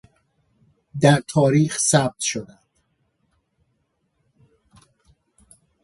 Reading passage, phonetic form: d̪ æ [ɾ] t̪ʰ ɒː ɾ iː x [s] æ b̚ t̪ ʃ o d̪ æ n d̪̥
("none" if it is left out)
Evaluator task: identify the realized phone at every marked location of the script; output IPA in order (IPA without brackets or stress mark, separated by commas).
ɾ, s